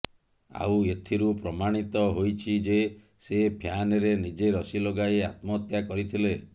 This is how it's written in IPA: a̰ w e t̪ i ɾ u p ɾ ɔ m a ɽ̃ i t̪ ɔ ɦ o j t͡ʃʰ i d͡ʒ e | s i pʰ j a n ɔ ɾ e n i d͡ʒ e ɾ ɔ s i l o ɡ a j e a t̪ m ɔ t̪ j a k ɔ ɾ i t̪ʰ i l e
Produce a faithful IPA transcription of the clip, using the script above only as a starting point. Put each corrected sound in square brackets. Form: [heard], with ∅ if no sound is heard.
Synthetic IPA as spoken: a̰ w e [t̪ʰ] i ɾ u p ɾ ɔ m a ɽ̃ i t̪ ɔ ɦ o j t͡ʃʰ i d͡ʒ e | s [e] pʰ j a n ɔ ɾ e n i d͡ʒ e ɾ ɔ s i l o ɡ a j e a t̪ m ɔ t̪ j a k ɔ ɾ i t̪ʰ i l e